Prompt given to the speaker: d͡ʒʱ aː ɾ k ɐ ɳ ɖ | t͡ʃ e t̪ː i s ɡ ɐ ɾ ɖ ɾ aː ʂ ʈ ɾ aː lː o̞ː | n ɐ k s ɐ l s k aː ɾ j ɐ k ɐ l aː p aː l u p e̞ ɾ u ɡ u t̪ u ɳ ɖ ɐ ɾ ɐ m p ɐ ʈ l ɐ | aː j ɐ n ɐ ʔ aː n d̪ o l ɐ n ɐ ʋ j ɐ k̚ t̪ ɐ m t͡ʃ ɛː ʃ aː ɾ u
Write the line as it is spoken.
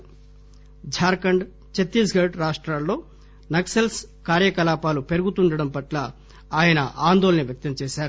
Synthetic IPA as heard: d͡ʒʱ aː ɾ k ɐ ɳ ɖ | t͡ʃ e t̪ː i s ɡ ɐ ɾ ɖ ɾ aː ʂ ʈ ɾ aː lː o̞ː | n ɐ k s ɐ l s k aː ɾ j ɐ k ɐ l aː p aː l u p e̞ ɾ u ɡ u t̪ u ɳ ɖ ɐ ɽ ɐ m p ɐ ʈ l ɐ | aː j ɐ n ɐ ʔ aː n d̪ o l ɐ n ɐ ʋ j ɐ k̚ t̪ ɐ m t͡ʃ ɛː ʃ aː ɾ u